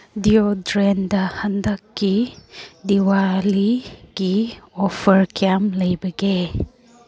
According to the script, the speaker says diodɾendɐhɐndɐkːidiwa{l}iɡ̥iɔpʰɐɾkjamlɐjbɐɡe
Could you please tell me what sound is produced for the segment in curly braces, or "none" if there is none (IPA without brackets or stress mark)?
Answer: l